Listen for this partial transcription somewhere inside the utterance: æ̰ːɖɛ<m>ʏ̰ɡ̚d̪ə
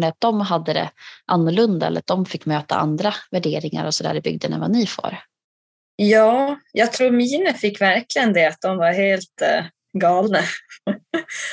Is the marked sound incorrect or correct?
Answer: incorrect